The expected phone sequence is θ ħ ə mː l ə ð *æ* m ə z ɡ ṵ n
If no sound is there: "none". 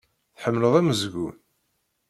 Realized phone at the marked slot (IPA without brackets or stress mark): æ